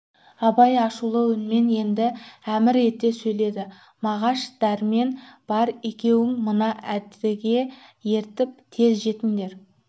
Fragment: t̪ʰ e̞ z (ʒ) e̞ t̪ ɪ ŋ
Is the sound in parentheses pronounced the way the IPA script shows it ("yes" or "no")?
yes